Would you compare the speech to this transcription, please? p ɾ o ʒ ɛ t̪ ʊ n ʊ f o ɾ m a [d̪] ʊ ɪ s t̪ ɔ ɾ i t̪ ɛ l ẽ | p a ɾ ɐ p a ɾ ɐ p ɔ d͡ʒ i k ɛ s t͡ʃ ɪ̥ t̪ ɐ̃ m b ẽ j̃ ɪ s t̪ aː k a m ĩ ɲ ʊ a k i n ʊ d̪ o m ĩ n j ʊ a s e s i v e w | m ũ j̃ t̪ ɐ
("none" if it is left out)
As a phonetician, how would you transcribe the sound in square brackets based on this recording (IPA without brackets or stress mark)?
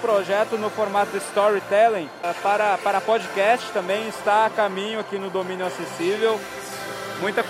t̪